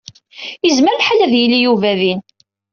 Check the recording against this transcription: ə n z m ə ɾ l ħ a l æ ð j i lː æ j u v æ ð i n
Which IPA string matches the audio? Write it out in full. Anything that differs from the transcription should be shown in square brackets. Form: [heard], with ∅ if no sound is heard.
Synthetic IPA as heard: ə [∅] z m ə ɾ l ħ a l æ ð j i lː [i] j u v æ ð i n